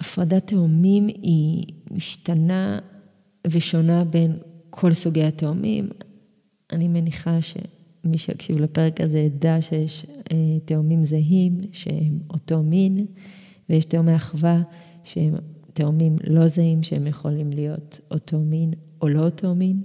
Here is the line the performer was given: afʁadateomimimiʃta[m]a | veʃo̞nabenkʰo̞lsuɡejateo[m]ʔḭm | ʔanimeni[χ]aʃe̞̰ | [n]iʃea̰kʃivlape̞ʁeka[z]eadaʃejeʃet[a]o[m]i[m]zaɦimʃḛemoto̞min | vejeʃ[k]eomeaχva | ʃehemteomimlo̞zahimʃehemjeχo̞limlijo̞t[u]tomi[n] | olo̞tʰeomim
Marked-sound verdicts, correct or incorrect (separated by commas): incorrect, correct, correct, incorrect, correct, incorrect, correct, correct, incorrect, incorrect, correct